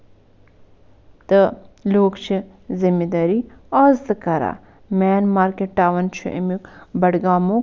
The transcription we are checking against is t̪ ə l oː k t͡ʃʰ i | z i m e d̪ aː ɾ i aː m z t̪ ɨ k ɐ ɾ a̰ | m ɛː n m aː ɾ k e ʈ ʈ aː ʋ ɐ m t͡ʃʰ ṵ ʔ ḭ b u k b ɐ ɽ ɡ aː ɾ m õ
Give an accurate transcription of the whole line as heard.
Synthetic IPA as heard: t̪ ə l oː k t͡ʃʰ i | z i m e d̪ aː ɾ i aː z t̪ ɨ k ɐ ɾ a̰ | m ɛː n m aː ɾ k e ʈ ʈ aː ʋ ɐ n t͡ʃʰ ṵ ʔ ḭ m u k b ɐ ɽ ɡ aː m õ